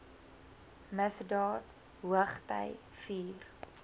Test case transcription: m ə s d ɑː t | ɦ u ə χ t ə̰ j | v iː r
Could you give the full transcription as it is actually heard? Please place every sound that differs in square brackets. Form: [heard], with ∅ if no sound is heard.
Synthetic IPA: m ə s d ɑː t | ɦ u ə χ t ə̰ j | [f] iː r